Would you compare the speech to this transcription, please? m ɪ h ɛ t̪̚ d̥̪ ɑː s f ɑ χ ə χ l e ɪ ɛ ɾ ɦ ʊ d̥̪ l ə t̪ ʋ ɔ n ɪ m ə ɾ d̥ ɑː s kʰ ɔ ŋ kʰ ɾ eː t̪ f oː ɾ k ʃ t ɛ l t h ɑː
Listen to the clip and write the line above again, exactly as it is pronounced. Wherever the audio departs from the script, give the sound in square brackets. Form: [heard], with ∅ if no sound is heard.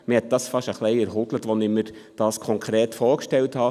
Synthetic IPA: m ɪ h ɛ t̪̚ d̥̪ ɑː s f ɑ [ʃ] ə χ l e ɪ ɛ ɾ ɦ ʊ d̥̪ l ə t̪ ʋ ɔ n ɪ m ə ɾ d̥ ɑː s kʰ ɔ ŋ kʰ ɾ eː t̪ f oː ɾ k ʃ t ɛ l t h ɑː